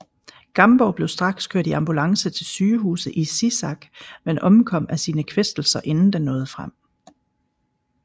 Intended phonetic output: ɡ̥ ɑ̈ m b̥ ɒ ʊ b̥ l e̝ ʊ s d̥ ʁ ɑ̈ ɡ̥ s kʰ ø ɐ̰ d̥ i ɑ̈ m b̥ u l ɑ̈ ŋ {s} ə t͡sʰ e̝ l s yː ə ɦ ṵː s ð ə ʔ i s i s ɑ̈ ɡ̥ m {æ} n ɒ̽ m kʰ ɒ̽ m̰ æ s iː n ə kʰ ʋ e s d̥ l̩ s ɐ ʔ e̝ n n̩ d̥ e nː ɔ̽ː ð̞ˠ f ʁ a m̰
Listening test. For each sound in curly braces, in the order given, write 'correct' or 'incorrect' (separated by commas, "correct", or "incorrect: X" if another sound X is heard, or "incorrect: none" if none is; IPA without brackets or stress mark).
correct, incorrect: e